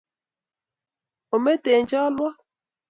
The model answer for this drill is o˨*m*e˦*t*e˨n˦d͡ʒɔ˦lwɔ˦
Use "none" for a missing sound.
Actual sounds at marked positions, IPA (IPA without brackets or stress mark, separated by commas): m, t